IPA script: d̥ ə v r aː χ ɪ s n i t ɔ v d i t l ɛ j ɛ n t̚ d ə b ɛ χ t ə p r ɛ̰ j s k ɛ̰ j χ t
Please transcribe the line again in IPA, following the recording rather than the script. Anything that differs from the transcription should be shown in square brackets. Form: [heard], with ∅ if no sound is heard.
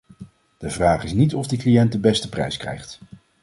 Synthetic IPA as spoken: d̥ ə v r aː χ ɪ s n i t ɔ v d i [k] l [i] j ɛ n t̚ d ə b ɛ [s] t ə p r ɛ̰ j s k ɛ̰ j χ t